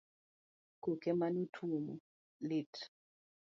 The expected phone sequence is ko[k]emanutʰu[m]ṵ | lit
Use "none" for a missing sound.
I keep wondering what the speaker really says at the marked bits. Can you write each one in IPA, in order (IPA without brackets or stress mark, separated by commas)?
k, m